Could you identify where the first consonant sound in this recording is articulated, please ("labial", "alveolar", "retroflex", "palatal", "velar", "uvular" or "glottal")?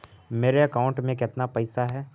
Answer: labial